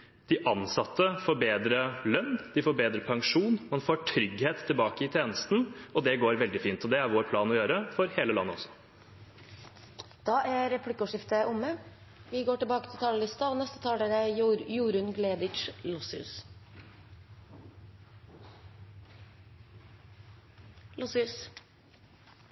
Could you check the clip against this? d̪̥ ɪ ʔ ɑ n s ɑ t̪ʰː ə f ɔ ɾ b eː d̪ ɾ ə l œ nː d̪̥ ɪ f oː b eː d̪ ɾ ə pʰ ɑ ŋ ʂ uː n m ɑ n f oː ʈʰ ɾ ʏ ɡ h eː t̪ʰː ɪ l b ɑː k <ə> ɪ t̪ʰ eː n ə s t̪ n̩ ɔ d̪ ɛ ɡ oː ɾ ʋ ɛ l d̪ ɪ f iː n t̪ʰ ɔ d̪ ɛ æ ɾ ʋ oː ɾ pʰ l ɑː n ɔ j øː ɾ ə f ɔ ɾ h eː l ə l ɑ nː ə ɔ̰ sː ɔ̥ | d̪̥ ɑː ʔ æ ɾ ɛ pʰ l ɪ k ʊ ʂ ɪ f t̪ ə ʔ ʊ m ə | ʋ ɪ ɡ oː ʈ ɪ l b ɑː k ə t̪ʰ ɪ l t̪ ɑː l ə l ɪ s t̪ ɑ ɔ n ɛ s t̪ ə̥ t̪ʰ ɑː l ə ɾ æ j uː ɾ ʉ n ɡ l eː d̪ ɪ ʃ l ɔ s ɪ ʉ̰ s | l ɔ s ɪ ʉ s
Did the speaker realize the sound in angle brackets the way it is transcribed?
yes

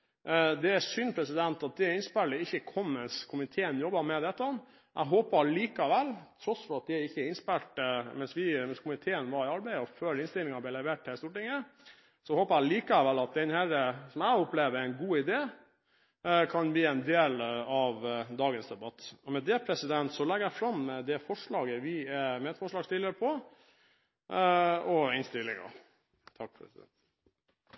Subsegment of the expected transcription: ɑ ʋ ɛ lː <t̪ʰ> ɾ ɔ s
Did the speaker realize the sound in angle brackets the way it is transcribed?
yes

